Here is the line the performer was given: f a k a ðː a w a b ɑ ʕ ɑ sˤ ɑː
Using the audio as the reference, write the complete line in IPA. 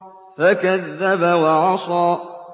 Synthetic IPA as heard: f a k a ðː a b a w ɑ ʕ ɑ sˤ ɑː